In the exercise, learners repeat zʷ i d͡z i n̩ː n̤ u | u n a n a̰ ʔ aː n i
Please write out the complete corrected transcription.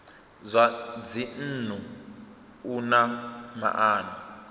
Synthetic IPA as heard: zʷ a d͡z i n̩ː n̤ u | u n a m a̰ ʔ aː n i